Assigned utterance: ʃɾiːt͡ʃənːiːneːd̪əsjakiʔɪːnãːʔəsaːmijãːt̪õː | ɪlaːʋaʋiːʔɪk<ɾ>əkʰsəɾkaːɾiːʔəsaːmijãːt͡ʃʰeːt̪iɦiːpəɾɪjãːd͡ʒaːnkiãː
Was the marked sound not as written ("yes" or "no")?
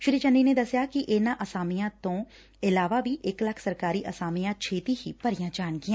yes